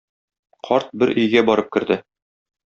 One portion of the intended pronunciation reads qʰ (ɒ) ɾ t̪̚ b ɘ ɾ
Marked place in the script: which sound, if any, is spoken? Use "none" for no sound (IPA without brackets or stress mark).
ɒ